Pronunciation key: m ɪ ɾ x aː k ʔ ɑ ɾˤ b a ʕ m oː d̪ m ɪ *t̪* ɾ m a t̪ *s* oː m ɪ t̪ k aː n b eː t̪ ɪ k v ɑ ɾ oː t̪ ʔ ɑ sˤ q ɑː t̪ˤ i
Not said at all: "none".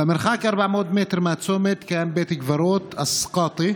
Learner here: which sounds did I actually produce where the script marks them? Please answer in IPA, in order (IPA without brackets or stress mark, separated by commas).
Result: t̪, s